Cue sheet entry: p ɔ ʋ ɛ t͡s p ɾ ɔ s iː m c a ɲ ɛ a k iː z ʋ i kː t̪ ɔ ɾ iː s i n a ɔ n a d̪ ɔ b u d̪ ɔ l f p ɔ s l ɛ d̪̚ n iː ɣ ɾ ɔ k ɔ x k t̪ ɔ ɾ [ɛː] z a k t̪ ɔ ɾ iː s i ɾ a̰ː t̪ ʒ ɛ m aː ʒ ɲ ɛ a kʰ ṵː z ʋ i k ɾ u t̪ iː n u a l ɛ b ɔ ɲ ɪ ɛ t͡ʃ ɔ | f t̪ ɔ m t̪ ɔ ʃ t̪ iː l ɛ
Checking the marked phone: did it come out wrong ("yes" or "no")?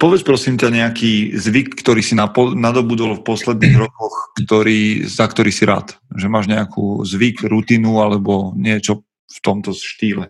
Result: yes